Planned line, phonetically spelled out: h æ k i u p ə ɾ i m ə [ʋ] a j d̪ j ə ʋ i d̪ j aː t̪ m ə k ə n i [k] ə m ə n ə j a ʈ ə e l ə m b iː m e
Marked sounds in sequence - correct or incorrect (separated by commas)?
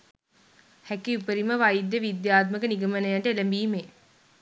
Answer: correct, incorrect